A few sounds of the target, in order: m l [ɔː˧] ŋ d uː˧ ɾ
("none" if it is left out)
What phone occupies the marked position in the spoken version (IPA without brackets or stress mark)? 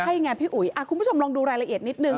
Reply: ɔː˧